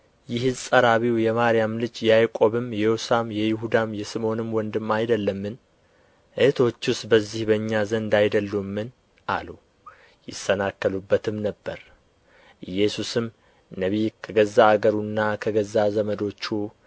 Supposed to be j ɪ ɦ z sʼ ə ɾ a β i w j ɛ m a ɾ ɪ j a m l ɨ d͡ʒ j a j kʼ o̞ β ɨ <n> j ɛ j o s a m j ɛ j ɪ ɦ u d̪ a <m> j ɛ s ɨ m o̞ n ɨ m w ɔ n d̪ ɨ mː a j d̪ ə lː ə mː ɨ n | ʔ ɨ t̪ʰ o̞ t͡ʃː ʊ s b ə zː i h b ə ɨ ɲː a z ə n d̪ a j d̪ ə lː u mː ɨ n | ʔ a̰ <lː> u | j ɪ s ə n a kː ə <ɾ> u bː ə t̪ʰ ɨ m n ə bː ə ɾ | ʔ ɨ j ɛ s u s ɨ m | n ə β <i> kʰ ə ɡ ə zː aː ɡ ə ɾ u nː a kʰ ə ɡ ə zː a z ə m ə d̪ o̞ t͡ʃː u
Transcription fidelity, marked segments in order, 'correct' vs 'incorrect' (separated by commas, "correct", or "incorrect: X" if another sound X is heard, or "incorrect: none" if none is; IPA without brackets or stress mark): incorrect: m, correct, incorrect: l, incorrect: l, correct